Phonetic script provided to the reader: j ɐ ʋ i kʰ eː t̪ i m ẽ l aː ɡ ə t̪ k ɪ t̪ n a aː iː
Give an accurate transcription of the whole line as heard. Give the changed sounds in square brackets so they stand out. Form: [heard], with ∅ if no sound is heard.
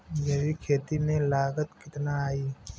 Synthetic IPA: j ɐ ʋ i kʰ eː t̪ i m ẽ l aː ɡ ə t̪ k ɪ t̪ n a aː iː